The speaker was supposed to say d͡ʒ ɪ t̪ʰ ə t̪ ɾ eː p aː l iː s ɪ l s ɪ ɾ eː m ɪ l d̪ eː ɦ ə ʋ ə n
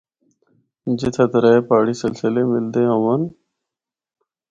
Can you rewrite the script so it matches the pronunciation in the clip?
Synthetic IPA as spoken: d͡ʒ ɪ t̪ʰ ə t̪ ɾ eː p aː ɽ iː s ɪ l s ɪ l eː m ɪ l d̪ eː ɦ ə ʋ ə n